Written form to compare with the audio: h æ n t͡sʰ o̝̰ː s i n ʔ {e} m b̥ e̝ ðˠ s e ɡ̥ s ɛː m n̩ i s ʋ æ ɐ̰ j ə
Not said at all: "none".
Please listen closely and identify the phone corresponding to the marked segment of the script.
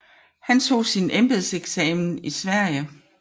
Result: e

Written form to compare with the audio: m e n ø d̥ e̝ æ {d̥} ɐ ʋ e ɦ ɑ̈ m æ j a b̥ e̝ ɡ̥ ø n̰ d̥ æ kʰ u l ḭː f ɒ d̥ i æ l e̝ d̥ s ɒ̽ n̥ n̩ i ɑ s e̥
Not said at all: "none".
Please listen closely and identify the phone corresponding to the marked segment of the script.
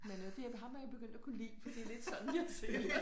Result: none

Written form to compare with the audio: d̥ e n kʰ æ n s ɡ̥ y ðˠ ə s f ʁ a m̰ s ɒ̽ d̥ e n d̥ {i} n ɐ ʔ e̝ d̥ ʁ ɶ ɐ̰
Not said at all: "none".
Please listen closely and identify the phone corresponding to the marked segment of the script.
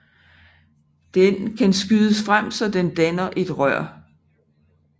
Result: æ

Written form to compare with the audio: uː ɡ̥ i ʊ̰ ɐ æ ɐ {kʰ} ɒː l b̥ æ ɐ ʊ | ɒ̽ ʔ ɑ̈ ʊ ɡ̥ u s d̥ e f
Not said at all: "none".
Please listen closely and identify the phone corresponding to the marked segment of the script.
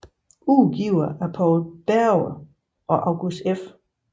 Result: pʰ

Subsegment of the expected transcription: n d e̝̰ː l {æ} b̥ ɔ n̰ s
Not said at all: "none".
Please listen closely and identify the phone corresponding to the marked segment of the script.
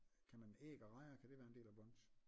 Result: æ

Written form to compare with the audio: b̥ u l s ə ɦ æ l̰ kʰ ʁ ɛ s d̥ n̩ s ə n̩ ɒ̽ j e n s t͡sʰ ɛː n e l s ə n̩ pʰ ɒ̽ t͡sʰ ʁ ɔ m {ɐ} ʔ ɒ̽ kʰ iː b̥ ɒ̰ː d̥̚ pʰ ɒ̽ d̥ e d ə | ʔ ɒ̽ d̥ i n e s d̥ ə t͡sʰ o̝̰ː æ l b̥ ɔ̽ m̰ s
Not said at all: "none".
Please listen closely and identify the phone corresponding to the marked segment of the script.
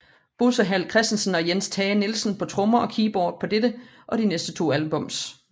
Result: ɐ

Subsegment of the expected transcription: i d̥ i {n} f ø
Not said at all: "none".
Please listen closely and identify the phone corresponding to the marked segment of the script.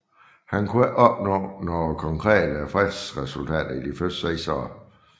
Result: none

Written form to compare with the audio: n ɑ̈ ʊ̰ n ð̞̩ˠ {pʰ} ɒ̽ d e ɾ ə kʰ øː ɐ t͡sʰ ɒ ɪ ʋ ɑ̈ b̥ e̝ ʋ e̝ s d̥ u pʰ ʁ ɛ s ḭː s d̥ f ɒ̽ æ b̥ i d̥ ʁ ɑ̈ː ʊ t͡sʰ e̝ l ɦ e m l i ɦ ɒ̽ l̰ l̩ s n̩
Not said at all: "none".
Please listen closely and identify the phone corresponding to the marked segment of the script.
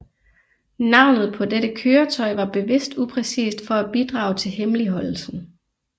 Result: pʰ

